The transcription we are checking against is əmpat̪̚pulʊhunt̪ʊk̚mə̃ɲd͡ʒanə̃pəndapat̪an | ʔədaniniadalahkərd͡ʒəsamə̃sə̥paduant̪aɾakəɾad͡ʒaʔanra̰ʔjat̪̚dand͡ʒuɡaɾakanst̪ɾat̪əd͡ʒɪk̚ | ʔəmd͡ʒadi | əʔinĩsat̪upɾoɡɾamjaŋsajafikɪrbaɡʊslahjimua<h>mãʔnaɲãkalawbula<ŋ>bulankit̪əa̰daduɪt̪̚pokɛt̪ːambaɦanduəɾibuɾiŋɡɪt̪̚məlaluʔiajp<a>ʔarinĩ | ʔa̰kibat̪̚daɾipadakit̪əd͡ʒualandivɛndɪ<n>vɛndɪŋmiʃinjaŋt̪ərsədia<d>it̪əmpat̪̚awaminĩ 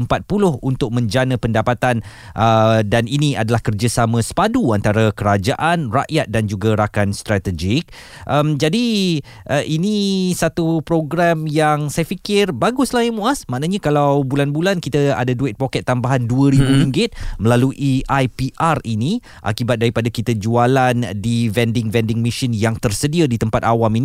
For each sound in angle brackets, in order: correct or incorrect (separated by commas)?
incorrect, incorrect, incorrect, incorrect, correct